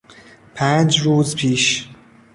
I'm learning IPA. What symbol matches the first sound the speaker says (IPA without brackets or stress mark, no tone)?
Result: pʰ